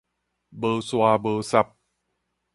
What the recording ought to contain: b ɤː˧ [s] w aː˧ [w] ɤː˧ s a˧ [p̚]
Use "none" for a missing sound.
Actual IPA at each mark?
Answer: s, b, p̚

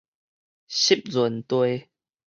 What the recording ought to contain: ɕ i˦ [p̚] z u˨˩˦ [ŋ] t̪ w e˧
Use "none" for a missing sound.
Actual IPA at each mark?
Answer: p̚, n

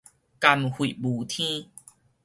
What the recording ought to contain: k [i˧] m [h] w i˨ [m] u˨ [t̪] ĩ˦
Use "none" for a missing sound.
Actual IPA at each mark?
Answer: a˧, h, b, t̪ʰ

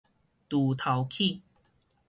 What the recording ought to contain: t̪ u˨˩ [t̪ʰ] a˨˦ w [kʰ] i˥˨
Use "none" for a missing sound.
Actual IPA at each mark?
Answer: t̪ʰ, kʰ

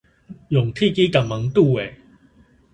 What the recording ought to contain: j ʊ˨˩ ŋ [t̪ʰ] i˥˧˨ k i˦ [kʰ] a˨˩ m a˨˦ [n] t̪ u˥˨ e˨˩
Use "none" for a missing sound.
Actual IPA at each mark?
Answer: t̪ʰ, k, ŋ

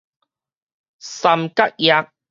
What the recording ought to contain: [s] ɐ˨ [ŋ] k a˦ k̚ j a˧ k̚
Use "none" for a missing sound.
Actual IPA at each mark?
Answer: s, m

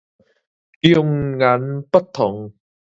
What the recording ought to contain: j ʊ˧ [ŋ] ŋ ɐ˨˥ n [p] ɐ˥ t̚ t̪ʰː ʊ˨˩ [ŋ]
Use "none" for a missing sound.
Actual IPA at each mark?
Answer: ŋ, p, ŋ

